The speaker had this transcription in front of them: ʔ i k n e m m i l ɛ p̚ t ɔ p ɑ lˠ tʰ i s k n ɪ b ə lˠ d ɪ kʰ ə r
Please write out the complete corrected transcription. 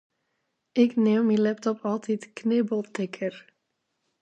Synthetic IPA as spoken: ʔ ɪ k n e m m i l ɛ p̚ t ɔ p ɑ lˠ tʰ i t k n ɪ b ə lˠ t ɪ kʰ ə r